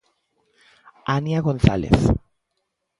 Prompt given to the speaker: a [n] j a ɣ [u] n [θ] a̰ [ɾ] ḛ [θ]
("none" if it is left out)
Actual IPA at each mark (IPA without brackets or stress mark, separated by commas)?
n, o, θ, l, θ